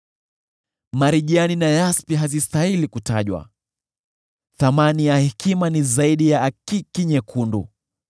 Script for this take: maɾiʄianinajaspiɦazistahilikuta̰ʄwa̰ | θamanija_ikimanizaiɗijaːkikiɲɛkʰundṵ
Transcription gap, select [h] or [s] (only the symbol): h